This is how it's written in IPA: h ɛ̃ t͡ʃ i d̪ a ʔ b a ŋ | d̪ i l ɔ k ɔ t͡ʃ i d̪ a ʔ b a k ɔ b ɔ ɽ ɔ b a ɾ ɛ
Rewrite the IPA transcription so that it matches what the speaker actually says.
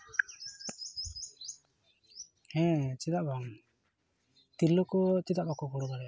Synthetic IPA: h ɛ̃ t͡ʃ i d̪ a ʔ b a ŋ | t̪ i l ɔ k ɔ t͡ʃ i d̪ a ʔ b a k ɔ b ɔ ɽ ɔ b a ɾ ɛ